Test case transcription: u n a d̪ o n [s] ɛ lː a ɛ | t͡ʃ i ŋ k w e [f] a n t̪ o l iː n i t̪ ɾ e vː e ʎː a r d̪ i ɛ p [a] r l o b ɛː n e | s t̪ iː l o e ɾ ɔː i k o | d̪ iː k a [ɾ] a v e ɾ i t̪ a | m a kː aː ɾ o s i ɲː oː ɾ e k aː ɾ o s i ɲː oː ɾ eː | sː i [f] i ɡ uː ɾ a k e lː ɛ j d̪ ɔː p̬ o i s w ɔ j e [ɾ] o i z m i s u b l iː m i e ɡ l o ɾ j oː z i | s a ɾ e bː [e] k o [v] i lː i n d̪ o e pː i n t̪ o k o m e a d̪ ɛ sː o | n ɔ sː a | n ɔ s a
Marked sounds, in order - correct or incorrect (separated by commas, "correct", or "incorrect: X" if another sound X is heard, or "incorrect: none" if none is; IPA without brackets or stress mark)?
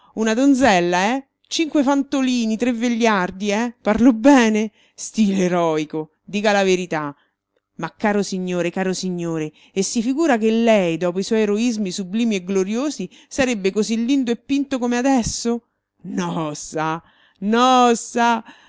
incorrect: z, correct, correct, incorrect: l, correct, correct, correct, incorrect: z